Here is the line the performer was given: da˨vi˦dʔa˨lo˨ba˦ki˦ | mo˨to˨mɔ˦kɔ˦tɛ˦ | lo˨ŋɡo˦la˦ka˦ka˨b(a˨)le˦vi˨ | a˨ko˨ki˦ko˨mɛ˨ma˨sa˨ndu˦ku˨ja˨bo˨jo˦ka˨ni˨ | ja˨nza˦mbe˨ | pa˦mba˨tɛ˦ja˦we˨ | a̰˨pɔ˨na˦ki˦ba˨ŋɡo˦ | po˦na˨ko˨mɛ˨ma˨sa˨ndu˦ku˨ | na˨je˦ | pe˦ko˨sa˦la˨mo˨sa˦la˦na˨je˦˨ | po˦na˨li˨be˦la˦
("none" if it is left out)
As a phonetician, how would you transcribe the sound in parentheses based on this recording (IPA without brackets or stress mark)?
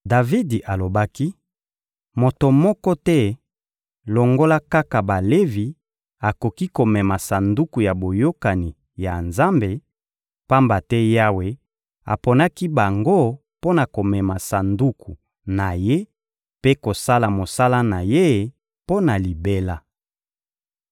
a˨